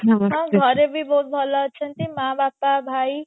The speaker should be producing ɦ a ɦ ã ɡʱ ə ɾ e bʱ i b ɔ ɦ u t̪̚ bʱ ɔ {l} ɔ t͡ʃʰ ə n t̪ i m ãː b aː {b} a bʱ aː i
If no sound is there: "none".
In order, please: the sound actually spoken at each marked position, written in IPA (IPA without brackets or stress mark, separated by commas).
l, p